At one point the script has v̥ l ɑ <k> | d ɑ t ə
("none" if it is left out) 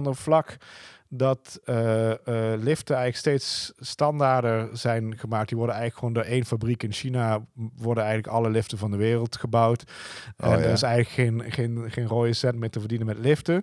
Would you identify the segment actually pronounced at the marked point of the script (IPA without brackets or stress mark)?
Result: k